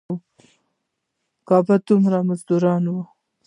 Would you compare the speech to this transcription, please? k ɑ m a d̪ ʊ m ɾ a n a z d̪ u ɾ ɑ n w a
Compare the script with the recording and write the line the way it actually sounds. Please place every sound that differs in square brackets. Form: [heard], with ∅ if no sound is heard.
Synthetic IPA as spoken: k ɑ [b] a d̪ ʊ m ɾ a [m] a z d̪ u ɾ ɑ n w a